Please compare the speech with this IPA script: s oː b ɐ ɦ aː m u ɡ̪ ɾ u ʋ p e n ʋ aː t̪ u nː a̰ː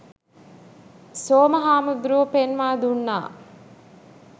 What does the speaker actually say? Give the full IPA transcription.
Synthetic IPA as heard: s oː m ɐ ɦ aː m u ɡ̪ ɾ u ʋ p e n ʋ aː d̪ u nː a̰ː